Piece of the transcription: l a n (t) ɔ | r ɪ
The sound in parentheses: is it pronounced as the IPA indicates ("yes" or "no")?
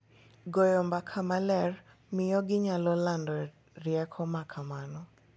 no